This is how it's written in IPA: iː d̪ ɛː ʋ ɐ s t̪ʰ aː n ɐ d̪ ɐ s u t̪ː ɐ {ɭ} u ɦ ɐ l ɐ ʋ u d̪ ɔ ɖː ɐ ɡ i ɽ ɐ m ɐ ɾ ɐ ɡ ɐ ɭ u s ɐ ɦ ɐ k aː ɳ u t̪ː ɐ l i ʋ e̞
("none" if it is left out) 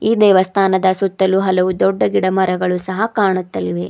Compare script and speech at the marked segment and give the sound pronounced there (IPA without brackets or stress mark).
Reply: l